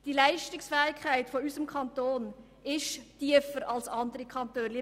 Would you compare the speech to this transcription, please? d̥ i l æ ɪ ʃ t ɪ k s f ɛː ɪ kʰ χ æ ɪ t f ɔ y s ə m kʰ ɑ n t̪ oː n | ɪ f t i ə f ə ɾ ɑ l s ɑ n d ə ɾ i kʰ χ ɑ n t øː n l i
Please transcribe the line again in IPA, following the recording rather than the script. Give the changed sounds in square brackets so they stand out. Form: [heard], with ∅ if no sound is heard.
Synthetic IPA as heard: d̥ i l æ ɪ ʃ t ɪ k s f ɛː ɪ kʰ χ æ ɪ t f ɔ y s ə m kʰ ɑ n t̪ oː n | ɪ [ʃ] t i ə f ə ɾ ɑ l s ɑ n d ə ɾ i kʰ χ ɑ n t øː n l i